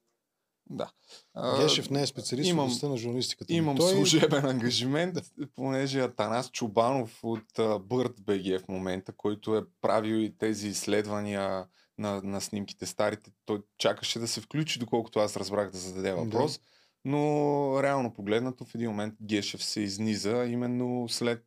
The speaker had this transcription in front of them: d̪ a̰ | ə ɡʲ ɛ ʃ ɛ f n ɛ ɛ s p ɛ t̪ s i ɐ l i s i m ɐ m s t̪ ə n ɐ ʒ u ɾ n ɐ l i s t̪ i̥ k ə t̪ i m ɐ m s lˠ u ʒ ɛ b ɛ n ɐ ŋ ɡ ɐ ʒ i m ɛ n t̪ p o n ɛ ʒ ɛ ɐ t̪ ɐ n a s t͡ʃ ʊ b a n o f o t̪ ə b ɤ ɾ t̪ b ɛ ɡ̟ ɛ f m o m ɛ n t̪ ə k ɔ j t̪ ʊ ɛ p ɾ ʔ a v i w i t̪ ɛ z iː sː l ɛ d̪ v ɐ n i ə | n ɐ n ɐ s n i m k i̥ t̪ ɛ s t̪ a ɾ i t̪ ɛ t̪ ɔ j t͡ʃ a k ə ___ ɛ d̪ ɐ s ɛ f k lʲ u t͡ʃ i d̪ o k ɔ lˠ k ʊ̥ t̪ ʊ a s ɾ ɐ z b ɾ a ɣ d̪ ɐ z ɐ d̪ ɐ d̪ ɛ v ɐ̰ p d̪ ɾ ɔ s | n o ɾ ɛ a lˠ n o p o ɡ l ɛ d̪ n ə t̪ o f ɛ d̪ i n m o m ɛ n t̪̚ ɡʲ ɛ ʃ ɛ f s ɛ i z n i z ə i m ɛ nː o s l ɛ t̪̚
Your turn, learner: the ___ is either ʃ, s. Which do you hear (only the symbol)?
ʃ